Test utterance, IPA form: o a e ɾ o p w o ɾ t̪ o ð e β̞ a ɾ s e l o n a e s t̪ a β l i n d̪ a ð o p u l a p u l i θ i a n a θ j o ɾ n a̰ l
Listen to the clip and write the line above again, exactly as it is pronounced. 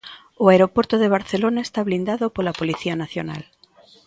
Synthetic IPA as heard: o a e ɾ o p w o ɾ t̪ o ð e β̞ a ɾ θ e l o n a e s t̪ a β l i n d̪ a ð o p o l a p o l i θ i a n a θ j o n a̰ l